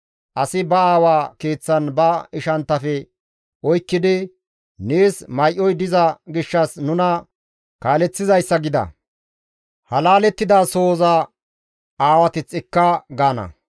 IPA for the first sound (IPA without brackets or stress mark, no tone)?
ʔ